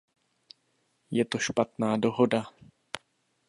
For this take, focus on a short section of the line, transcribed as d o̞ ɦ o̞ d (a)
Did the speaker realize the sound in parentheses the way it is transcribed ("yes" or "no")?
yes